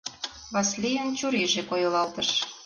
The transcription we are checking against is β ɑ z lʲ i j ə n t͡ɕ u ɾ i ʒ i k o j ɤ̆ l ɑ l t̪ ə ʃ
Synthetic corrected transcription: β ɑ s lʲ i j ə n t͡ɕ u ɾ e ʒ e k o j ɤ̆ l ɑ l t̪ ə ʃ